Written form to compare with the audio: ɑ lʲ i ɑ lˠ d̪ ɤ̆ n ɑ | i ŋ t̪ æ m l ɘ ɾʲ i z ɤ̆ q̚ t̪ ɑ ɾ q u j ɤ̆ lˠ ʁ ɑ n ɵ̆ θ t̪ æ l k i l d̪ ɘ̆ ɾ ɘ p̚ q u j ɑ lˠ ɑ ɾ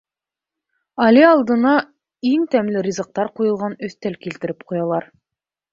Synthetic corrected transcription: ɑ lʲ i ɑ lˠ d̪ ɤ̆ n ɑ | i ŋ t̪ æ m l ɘ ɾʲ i z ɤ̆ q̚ t̪ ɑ ɾ q u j ɤ̆ lˠ ʁ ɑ n ɵ̆ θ t̪ æ l k i l t̪ ɘ̆ ɾ ɘ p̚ q u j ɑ lˠ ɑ ɾ